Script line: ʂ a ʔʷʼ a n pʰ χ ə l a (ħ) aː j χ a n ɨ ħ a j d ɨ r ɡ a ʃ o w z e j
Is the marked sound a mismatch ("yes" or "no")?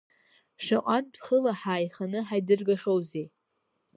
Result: no